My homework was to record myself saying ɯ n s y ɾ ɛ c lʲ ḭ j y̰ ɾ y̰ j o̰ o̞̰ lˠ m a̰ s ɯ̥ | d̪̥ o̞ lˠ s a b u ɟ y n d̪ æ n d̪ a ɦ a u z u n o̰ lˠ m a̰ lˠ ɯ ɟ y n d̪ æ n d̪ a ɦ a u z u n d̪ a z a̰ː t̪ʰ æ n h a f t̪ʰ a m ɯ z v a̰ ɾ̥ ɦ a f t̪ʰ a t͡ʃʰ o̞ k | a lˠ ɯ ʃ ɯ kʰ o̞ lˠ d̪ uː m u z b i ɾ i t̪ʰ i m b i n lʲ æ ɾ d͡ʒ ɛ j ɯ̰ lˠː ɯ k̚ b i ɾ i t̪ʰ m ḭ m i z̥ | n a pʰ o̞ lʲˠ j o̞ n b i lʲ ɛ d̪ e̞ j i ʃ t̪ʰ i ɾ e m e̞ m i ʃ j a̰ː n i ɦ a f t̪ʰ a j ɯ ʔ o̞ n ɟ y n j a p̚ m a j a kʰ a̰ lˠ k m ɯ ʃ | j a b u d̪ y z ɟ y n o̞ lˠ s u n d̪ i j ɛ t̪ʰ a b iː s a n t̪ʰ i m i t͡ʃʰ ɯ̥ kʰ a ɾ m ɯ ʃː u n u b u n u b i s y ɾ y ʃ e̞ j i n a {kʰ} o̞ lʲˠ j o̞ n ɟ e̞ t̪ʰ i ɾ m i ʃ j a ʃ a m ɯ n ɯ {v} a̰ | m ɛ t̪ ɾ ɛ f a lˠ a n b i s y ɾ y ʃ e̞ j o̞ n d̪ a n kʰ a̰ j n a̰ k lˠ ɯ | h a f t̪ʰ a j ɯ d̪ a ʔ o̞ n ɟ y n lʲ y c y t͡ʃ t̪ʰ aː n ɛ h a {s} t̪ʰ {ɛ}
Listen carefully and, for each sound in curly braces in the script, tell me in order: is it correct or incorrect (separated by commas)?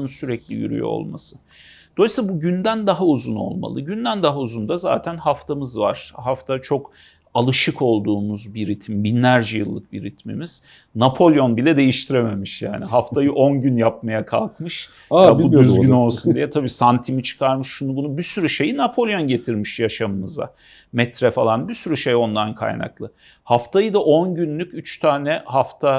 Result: incorrect, incorrect, incorrect, incorrect